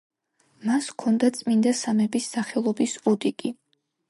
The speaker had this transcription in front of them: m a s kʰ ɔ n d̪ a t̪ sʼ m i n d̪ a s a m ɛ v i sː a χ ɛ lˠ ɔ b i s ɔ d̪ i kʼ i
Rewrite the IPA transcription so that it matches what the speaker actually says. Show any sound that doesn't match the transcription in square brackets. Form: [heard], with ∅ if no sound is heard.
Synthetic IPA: m a s kʰ ɔ n d̪ a t̪ sʼ m i n d̪ a s a m ɛ [b] i sː a χ ɛ lˠ ɔ b i s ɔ d̪ i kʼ i